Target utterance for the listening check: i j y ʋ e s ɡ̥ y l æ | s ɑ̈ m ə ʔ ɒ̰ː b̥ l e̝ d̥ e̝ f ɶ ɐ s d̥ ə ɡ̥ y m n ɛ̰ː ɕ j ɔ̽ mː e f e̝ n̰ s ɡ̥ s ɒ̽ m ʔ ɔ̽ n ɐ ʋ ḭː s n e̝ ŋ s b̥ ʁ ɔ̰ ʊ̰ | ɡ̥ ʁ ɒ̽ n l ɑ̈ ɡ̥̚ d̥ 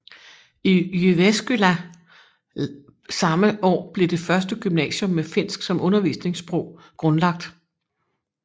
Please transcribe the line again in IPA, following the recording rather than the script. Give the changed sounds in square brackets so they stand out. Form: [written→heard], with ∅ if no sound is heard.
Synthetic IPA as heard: i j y ʋ e s ɡ̥ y l æ | s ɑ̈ m ə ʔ ɒ̰ː b̥ l e̝ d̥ e̝ f ɶ ɐ s d̥ ə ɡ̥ y m n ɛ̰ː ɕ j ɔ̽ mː e f e̝ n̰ s ɡ̥ s ɒ̽ m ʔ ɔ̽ n ɐ ʋ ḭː s n e̝ ŋ s b̥ ʁ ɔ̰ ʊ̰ | ɡ̥ ʁ [ɒ̽→ɔ̽] n l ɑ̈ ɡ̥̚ d̥